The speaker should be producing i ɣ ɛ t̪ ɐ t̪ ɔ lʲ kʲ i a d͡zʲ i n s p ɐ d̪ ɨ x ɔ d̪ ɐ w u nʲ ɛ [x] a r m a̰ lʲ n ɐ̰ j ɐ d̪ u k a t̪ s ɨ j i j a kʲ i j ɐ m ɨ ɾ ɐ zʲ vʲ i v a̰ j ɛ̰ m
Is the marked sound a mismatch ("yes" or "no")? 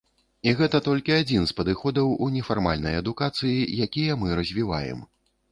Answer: yes